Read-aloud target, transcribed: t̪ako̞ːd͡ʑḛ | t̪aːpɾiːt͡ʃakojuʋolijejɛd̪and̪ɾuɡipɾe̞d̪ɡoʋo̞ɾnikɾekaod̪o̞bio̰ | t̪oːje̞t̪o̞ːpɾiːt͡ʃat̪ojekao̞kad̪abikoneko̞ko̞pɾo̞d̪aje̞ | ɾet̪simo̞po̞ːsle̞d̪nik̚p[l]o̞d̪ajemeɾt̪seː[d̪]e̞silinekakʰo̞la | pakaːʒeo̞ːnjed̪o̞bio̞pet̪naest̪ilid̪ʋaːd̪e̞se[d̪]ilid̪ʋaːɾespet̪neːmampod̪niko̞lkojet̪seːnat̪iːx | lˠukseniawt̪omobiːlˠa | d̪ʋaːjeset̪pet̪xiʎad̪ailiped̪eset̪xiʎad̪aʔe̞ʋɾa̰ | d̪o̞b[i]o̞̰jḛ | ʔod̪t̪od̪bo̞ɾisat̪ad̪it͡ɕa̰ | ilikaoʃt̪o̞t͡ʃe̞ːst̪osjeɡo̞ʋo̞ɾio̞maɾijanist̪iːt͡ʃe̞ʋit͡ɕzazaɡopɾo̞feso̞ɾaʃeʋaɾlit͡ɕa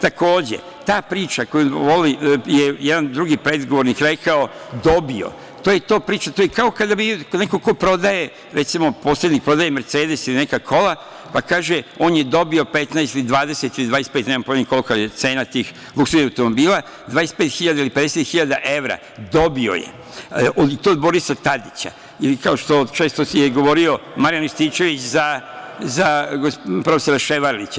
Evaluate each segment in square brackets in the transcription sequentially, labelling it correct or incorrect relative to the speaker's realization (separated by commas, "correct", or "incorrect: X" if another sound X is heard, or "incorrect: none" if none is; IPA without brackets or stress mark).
incorrect: ɾ, correct, incorrect: t̪, correct